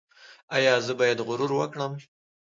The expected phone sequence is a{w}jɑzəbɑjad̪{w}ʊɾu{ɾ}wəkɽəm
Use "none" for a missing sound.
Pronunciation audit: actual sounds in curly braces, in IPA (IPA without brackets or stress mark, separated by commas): none, ɣ, ɾ